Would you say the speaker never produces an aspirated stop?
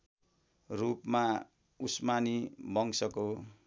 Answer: yes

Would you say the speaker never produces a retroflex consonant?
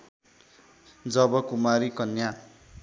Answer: yes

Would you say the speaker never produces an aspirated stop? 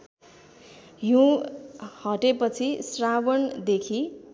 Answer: no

